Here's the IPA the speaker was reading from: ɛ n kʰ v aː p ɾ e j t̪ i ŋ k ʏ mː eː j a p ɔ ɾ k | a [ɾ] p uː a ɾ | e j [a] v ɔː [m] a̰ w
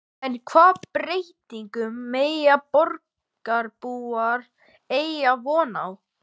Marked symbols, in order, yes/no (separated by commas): yes, yes, no